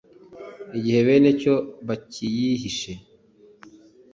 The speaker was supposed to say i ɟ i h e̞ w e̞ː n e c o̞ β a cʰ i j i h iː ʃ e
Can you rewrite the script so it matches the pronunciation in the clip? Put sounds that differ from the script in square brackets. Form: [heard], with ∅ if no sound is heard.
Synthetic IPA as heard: i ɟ i h e̞ [β] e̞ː n e c o̞ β a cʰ i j i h [i] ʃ e